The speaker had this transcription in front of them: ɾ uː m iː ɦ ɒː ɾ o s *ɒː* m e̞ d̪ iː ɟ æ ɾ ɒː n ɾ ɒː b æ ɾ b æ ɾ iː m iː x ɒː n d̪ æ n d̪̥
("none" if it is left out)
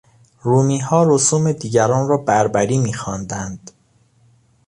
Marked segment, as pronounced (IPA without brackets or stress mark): uː